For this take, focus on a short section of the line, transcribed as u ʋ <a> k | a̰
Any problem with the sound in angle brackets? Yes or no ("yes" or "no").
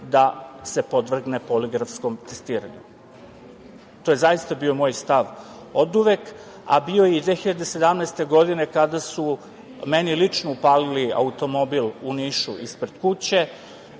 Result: yes